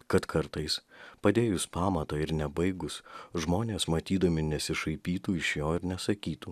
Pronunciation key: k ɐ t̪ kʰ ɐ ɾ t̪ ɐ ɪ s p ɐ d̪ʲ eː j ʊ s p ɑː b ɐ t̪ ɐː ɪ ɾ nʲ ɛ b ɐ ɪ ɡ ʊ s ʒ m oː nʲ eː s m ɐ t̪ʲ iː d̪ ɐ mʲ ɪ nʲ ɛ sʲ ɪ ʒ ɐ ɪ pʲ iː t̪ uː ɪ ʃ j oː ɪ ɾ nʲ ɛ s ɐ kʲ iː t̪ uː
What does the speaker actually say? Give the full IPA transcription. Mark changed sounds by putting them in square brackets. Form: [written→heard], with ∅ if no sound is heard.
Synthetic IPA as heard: k ɐ t̪ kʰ ɐ ɾ t̪ ɐ ɪ s p ɐ d̪ʲ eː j ʊ s p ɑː [b→m] ɐ t̪ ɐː ɪ ɾ nʲ ɛ b ɐ ɪ ɡ ʊ s ʒ m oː nʲ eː s m ɐ t̪ʲ iː d̪ ɐ mʲ ɪ nʲ ɛ sʲ ɪ [ʒ→ʃ] ɐ ɪ pʲ iː t̪ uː ɪ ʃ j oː ɪ ɾ nʲ ɛ s ɐ kʲ iː t̪ uː